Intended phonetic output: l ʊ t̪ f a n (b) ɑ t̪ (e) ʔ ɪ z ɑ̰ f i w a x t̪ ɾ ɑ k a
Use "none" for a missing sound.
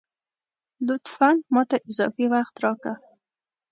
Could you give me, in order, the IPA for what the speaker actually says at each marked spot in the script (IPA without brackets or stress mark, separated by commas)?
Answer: m, a